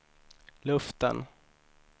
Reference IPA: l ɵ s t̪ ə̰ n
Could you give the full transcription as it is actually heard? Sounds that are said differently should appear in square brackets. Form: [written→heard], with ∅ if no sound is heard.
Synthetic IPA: l ɵ [s→f] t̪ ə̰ n